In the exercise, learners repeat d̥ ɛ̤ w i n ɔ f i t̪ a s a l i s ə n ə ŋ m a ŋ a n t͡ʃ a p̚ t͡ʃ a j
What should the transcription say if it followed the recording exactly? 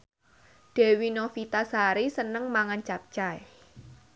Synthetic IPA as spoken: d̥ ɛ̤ w i n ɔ f i t̪ a s a ɾ i s ə n ə ŋ m a ŋ a n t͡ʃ a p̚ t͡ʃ a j